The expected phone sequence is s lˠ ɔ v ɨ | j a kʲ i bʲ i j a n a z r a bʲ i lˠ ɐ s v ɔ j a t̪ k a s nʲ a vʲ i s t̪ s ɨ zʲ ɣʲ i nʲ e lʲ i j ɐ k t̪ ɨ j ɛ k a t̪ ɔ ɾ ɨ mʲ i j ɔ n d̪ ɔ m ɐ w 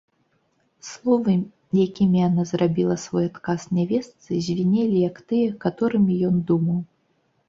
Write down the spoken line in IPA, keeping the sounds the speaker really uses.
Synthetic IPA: s lˠ ɔ v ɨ | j a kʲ i mʲ i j a n a z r a bʲ i lˠ ɐ s v ɔ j a t̪ k a s nʲ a vʲ ɛ s t̪ s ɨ zʲ vʲ i nʲ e lʲ i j ɐ k t̪ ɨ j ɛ k a t̪ ɔ ɾ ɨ mʲ i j ɔ n d̪ u m ɐ w

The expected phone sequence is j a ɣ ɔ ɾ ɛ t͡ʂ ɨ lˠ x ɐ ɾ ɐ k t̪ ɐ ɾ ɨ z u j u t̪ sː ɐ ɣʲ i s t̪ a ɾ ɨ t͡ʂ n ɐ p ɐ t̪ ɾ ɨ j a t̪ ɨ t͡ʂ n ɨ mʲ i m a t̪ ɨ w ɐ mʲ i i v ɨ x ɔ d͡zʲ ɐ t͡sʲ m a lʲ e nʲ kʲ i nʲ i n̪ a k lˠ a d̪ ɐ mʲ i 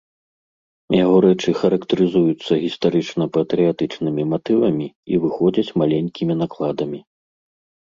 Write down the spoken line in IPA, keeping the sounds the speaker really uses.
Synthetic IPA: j a ɣ ɔ ɾ ɛ t͡ʂ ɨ x ɐ ɾ ɐ k t̪ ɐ ɾ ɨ z u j u t̪ sː ɐ ɣʲ i s t̪ a ɾ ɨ t͡ʂ n ɐ p ɐ t̪ ɾ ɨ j a t̪ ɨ t͡ʂ n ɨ mʲ i m a t̪ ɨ v ɐ mʲ i i v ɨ x ɔ d͡zʲ ɐ t͡sʲ m a lʲ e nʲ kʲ i mʲ i n̪ a k lˠ a d̪ ɐ mʲ i

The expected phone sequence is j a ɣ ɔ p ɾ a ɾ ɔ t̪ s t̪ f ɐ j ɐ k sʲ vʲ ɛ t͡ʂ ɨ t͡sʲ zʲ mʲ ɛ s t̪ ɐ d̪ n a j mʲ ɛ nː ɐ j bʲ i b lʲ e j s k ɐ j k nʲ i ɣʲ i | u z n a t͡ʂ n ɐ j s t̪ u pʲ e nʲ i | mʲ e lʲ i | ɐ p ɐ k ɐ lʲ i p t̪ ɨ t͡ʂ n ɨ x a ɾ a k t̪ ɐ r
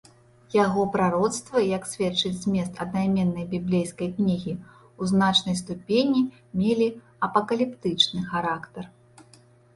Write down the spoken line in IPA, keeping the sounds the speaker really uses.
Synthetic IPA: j a ɣ ɔ p ɾ a ɾ ɔ t̪ s t̪ v ɐ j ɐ k sʲ vʲ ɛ t͡ʂ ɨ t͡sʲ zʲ mʲ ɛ s t̪ ɐ d̪ n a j mʲ ɛ nː ɐ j bʲ i b lʲ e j s k ɐ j k nʲ i ɣʲ i | u z n a t͡ʂ n ɐ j s t̪ u pʲ e nʲ i | mʲ e lʲ i | ɐ p ɐ k ɐ lʲ i p t̪ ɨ t͡ʂ n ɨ x a ɾ a k t̪ ɐ r

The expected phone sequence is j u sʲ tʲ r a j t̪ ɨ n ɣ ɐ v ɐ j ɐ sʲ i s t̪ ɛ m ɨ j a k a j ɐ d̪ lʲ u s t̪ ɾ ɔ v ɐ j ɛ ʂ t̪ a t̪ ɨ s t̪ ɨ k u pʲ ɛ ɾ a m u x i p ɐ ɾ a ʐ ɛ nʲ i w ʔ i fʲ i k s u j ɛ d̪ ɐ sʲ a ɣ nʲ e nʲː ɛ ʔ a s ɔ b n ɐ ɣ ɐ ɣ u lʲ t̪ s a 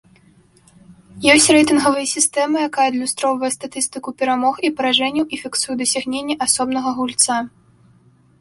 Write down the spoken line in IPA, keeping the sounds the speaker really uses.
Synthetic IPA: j ɔ sʲ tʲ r ɛ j t̪ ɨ n ɣ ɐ v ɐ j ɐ sʲ i s t̪ ɛ m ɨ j a k a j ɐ d̪ lʲ u s t̪ ɾ ɔ v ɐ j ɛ s t̪ a t̪ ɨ s t̪ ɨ k u pʲ ɛ ɾ a m ɔ x i p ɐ ɾ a ʐ ɛ nʲ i w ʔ i fʲ i k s u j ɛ d̪ ɐ sʲ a ɣ nʲ e nʲː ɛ ʔ a s ɔ b n ɐ ɣ ɐ ɣ u lʲ t̪ s a

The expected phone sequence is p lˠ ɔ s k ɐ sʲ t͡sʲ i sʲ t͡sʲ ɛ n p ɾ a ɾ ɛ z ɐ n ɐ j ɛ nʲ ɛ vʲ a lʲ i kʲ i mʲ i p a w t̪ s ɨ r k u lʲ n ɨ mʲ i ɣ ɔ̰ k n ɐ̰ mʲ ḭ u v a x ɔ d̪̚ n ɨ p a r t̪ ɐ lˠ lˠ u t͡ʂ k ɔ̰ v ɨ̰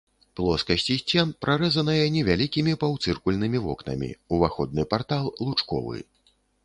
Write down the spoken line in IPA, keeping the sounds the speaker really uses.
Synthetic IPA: p lˠ ɔ s k ɐ sʲ t͡sʲ i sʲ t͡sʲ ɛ n p ɾ a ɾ ɛ z ɐ n ɐ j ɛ nʲ ɛ vʲ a lʲ i kʲ i mʲ i p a w t̪ s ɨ r k u lʲ n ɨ mʲ i v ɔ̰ k n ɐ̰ mʲ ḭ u v a x ɔ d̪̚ n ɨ p a r t̪ a lˠ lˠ u t͡ʂ k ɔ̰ v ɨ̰

